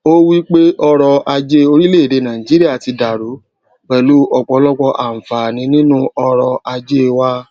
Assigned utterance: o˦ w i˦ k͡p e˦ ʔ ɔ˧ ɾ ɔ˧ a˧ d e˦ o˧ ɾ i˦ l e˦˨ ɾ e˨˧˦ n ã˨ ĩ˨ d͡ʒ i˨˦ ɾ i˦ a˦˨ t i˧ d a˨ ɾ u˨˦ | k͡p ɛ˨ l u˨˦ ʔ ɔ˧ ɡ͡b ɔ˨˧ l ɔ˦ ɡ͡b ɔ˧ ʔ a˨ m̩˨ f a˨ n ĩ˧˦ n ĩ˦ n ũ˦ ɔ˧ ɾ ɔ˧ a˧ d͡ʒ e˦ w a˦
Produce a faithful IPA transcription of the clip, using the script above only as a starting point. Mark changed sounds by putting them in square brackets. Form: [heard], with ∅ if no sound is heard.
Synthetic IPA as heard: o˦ w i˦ k͡p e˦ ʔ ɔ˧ ɾ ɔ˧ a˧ [d͡ʒ] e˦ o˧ ɾ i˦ l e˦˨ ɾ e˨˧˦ n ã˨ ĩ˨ d͡ʒ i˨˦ ɾ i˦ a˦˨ t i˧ d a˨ ɾ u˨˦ | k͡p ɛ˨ l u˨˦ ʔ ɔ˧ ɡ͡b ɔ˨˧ l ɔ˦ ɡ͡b ɔ˧ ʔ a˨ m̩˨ f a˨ n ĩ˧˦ n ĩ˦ n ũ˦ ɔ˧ ɾ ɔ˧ a˧ d͡ʒ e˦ w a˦